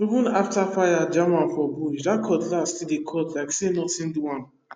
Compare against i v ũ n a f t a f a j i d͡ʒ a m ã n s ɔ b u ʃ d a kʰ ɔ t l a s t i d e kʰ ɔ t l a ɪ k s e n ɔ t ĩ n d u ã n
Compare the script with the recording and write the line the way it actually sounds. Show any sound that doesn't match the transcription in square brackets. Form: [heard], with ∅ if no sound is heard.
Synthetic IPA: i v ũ n a f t a f a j [a] d͡ʒ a m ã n [f] ɔ b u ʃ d a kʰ ɔ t l a s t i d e kʰ ɔ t l a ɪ k s e n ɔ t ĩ n d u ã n